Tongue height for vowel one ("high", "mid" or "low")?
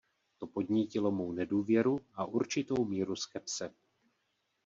mid